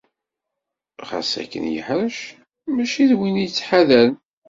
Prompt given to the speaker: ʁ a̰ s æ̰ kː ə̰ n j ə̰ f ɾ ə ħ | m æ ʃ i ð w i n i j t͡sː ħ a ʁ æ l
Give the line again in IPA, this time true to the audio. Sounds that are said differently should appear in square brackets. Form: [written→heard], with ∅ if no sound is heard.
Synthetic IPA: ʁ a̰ s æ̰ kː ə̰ n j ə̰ [f→ħ] ɾ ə [ħ→ʃ] | m æ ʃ i ð w i n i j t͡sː ħ a [ʁ→ð] æ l